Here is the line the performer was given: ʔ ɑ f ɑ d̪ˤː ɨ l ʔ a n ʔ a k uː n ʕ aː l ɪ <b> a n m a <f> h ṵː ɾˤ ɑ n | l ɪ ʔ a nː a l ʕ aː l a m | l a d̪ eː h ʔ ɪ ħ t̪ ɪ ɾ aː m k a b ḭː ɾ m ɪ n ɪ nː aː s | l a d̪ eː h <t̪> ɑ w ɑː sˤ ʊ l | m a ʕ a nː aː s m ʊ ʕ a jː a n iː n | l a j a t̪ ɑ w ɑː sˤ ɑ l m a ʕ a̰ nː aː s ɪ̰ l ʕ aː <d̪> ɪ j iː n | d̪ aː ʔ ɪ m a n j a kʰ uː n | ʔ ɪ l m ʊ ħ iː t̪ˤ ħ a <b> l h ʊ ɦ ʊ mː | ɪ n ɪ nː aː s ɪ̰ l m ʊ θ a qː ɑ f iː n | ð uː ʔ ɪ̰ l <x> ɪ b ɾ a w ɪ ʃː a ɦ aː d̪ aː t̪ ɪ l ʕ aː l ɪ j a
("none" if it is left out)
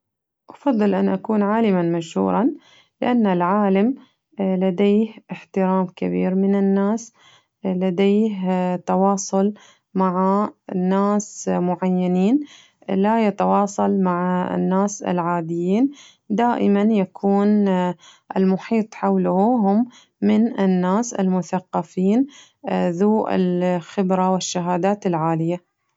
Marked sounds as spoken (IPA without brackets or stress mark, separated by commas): m, ʃ, t̪, d̪, w, x